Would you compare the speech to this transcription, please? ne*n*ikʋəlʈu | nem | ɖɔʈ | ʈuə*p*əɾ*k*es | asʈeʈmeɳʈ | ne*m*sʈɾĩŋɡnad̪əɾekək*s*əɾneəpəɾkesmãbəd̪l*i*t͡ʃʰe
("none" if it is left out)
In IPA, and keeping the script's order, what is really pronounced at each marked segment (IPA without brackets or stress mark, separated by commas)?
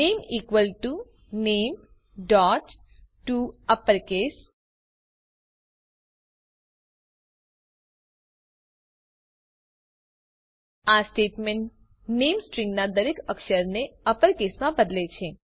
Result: m, p, k, m, ʃ, e